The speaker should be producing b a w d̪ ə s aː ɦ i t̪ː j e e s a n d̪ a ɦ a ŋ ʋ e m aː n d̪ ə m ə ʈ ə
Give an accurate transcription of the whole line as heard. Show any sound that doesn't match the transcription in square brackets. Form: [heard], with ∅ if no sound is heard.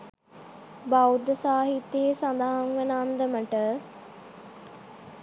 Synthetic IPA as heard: b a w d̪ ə s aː ɦ i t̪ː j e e s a n d̪ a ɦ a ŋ ʋ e [n] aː n d̪ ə m ə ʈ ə